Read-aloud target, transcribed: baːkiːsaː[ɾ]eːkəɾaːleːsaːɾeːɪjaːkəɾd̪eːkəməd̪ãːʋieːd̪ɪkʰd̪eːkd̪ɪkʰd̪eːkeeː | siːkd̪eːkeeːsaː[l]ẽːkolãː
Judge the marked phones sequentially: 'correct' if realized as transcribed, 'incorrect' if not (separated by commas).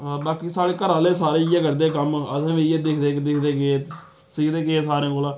incorrect, incorrect